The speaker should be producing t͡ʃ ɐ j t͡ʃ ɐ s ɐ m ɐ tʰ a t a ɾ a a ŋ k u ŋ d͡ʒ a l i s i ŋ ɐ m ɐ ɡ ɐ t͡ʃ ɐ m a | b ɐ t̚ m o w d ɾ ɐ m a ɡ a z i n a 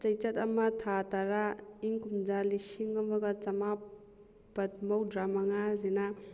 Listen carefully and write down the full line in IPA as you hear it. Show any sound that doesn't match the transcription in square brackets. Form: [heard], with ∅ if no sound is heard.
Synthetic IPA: t͡ʃ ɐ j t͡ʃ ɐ [t] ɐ m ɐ tʰ a t a ɾ a [i] ŋ k u [m] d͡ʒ a l i s i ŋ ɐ m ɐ ɡ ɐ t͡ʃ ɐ m a | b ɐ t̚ m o w d ɾ [a] m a [ŋ] a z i n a